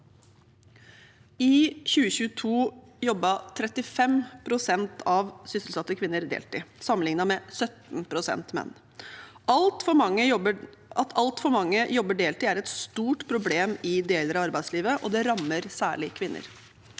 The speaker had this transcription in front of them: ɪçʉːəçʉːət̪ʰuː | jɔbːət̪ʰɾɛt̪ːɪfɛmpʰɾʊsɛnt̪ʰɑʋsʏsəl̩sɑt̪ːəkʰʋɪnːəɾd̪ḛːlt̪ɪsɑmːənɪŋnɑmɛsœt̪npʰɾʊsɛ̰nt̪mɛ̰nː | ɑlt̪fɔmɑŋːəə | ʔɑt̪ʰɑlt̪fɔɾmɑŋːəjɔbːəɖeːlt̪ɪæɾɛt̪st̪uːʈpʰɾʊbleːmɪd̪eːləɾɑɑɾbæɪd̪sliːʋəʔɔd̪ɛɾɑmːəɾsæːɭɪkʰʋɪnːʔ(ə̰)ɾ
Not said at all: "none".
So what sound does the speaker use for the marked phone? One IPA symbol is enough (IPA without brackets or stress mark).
ə̰